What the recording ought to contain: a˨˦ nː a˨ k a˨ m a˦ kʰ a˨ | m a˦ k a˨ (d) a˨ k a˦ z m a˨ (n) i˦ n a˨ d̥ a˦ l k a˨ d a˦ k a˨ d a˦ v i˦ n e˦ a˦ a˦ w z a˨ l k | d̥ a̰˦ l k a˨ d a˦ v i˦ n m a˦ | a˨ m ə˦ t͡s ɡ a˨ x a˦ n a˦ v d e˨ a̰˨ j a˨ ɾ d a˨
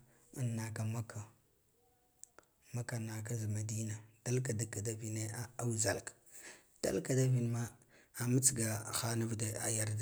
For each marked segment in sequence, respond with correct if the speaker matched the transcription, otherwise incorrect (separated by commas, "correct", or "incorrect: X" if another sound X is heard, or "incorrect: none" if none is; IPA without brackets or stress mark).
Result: incorrect: n, incorrect: d